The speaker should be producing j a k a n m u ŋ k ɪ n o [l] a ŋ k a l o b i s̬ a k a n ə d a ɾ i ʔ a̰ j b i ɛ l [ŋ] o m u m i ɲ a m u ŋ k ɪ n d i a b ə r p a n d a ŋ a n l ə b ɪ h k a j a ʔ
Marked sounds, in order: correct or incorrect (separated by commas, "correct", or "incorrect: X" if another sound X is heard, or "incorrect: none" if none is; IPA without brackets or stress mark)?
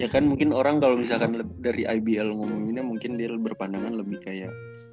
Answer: incorrect: ɾ, correct